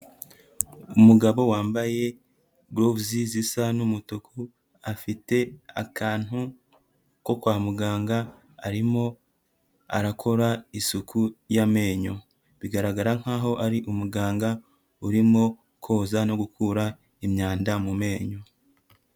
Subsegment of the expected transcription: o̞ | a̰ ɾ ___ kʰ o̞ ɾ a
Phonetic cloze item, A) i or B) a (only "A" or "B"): B